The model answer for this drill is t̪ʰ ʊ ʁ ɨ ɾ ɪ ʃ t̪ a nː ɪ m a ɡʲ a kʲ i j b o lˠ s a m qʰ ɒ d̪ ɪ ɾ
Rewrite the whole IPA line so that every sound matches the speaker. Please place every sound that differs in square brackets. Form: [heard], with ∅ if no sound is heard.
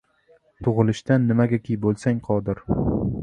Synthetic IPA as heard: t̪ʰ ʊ ʁ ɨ [l] ɪ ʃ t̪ a nː ɪ m a ɡʲ a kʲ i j b o lˠ s a [ŋ] qʰ ɒ d̪ ɪ ɾ